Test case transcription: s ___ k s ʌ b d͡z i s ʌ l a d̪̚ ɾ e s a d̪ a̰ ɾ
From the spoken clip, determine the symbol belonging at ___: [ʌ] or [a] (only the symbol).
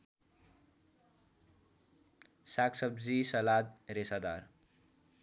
a